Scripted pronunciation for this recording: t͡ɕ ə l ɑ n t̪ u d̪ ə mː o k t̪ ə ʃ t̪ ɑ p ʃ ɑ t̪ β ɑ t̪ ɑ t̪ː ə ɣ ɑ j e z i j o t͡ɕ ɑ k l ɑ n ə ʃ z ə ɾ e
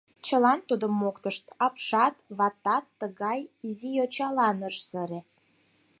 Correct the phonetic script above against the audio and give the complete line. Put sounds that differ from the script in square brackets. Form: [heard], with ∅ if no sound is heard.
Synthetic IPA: t͡ɕ ə l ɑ n t̪ u d̪ ə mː o k t̪ ə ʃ t̪ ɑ p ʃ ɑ t̪ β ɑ t̪ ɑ t̪ː ə ɣ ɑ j [i] z i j o t͡ɕ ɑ [∅] l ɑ n ə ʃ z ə ɾ e